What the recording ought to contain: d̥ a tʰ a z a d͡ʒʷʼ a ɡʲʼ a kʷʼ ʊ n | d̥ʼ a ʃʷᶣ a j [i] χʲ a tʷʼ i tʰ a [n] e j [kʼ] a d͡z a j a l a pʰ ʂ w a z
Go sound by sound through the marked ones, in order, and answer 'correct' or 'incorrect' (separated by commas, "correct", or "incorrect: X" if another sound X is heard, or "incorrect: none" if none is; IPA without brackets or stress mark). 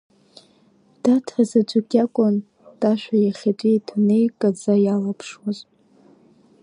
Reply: incorrect: a, correct, correct